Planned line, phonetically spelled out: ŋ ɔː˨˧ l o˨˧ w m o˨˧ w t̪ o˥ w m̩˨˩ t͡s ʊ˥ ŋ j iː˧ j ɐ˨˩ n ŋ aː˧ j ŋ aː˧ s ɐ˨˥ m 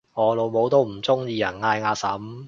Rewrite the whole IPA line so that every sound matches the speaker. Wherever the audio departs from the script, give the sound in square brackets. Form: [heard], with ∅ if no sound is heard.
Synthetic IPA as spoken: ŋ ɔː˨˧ l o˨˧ w m o˨˧ w t̪ o˥ w m̩˨˩ t͡s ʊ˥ ŋ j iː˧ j ɐ˨˩ n ŋ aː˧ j ŋ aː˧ s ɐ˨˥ m

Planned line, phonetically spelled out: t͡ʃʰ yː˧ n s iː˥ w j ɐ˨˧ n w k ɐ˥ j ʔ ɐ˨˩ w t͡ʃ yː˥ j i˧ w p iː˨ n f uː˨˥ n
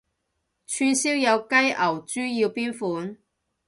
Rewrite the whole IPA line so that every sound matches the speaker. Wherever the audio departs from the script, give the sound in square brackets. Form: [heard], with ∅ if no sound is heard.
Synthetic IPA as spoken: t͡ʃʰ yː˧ n s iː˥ w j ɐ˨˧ [∅] w k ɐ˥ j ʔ ɐ˨˩ w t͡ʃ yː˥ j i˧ w p [iː˥] n f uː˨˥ n

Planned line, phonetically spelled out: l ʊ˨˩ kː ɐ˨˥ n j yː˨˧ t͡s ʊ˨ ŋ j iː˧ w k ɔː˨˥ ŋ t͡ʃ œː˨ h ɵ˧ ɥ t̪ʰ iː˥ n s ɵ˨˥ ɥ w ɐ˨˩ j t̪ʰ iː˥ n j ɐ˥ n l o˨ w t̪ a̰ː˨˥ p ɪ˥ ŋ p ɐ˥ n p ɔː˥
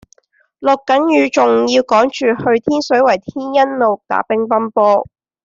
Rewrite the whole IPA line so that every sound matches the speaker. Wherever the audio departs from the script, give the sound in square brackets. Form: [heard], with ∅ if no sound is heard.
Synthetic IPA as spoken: l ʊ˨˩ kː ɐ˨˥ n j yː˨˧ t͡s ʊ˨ ŋ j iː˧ w k ɔː˨˥ ŋ t͡ʃ [yː˨] h ɵ˧ ɥ t̪ʰ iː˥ n s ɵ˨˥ ɥ w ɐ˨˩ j t̪ʰ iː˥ n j ɐ˥ n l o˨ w t̪ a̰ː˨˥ p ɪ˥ ŋ p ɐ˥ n p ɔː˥

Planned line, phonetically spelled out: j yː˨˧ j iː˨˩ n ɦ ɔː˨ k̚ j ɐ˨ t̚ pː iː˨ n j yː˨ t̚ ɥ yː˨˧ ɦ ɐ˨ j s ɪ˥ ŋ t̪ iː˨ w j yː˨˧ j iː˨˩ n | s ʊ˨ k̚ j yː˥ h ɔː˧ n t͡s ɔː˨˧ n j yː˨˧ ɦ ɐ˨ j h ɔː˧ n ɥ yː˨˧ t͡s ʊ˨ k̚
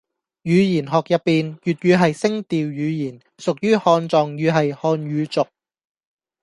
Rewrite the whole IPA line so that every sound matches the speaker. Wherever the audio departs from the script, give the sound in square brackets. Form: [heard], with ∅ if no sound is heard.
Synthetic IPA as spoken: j yː˨˧ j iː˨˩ n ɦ ɔː˨ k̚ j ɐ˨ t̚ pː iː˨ n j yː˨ t̚ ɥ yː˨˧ ɦ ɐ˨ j s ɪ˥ ŋ t̪ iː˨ w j yː˨˧ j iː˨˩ n | s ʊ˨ k̚ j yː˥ h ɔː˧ n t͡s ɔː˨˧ [ŋ] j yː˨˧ ɦ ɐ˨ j h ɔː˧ n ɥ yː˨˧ t͡s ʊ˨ k̚

